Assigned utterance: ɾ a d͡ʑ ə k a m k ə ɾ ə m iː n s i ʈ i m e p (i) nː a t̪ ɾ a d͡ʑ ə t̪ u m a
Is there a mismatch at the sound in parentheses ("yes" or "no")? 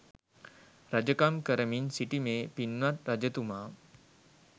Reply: no